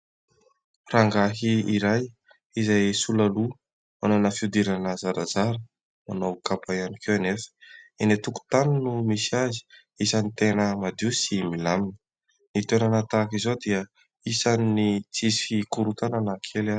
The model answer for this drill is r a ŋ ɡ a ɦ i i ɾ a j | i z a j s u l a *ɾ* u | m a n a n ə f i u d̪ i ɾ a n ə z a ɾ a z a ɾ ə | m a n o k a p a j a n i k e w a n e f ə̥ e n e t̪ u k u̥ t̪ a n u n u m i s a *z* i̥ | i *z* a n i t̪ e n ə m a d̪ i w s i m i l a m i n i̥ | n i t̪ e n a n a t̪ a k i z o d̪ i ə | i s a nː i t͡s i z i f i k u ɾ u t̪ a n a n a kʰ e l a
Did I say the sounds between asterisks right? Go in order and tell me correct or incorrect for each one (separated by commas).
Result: incorrect, correct, incorrect